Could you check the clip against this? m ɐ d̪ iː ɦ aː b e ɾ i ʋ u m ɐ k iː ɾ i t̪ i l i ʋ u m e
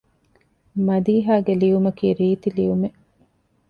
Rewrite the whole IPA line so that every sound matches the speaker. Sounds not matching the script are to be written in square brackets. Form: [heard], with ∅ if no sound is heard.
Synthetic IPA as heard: m ɐ d̪ iː ɦ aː [ɡ] e [l] i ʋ u m ɐ k iː ɾ [iː] t̪ i l i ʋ u m e